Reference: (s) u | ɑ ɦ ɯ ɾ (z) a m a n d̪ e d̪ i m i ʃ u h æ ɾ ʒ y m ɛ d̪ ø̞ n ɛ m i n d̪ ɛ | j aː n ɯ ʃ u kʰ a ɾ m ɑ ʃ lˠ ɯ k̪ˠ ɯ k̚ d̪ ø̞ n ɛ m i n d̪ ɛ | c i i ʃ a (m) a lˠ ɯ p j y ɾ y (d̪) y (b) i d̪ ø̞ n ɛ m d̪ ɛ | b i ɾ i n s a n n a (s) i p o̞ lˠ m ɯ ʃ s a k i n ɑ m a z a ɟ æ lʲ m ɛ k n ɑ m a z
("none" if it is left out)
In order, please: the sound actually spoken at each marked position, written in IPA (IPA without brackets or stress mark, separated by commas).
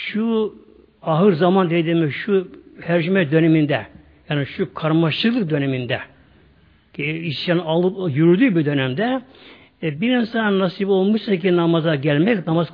ʃ, z, n, d̪, b, s